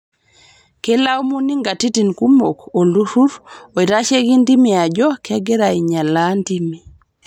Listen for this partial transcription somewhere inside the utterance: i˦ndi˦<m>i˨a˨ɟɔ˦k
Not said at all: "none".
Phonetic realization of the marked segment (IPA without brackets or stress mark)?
m